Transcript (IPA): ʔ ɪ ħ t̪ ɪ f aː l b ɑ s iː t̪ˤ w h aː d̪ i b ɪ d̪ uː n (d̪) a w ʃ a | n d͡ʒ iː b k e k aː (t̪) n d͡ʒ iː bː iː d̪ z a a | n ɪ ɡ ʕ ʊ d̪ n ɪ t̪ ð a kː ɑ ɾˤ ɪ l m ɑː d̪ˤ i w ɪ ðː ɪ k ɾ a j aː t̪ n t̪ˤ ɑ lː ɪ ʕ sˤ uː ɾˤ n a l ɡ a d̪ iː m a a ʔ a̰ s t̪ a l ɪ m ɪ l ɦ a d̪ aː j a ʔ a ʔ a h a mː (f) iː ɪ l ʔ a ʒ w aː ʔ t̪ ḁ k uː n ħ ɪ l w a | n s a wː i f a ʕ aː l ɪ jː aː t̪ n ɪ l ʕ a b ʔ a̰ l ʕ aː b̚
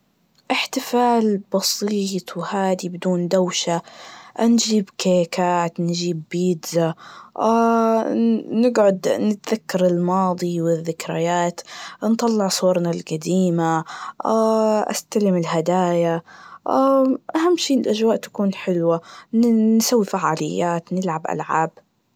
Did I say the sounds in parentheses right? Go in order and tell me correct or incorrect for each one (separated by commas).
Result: correct, correct, incorrect